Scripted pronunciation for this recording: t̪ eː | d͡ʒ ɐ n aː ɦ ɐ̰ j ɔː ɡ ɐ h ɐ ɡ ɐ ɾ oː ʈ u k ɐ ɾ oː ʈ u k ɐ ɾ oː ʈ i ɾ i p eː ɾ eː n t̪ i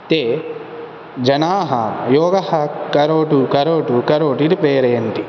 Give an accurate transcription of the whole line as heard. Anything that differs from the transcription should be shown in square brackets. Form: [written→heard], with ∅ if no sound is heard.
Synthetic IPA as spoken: t̪ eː | d͡ʒ ɐ n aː ɦ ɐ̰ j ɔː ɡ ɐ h ɐ [ɡ→k] ɐ ɾ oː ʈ u k ɐ ɾ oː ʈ u k ɐ ɾ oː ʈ i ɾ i p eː ɾ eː n t̪ i